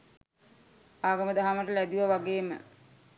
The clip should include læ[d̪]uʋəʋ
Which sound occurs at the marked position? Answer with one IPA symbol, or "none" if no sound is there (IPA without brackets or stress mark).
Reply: d̪